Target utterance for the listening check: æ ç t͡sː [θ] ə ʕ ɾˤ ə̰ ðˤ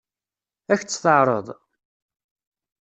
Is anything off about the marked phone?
no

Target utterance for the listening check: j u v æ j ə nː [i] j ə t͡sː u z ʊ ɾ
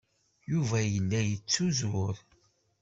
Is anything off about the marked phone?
yes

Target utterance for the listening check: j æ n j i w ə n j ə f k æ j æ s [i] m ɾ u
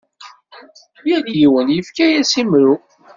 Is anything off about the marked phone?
no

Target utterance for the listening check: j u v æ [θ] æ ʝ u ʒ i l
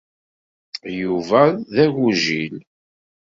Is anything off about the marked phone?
yes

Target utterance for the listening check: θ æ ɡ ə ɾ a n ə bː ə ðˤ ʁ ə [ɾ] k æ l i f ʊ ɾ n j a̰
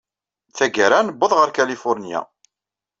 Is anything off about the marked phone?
no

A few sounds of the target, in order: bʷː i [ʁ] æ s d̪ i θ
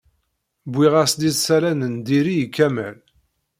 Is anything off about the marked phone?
no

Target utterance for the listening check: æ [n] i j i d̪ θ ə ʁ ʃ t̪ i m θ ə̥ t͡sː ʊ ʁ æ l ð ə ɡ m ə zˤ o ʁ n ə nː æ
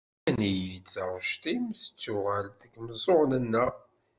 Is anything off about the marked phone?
no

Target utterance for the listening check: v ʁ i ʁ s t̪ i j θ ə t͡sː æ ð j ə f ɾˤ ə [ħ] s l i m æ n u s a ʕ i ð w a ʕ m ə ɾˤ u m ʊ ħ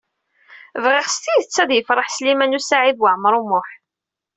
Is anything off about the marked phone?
no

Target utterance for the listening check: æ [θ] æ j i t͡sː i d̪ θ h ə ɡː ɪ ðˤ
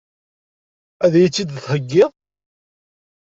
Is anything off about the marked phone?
yes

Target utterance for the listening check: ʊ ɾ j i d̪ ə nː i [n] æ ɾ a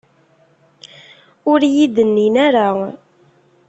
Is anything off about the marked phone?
no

